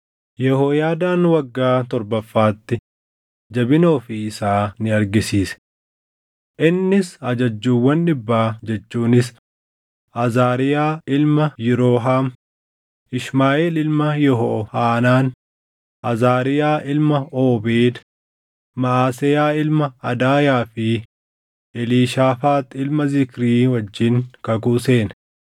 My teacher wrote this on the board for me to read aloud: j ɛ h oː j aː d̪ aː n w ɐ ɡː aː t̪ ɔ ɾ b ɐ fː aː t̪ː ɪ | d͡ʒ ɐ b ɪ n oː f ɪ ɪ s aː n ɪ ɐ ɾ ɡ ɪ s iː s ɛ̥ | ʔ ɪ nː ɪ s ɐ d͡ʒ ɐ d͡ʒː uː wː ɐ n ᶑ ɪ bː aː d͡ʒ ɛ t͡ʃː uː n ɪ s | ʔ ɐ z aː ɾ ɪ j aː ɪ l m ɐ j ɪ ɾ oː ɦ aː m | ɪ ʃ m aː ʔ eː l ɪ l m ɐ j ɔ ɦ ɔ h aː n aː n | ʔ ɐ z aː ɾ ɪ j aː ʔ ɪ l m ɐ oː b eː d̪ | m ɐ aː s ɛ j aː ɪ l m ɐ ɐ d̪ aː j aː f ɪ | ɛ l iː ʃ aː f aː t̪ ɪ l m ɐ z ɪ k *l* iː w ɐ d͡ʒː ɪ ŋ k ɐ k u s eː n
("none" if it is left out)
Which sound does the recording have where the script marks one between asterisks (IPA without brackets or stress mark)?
ɾ